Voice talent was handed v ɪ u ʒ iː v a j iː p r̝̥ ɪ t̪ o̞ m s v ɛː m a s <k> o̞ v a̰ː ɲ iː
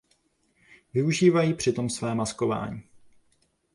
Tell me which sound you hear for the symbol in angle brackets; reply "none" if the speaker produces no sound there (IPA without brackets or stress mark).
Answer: k